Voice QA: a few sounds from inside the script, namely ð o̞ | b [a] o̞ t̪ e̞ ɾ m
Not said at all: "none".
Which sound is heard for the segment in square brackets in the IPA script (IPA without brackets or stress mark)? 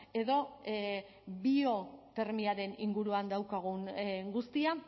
i